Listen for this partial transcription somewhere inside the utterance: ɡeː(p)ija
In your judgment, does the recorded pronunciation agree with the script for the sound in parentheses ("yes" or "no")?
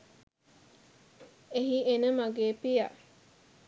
yes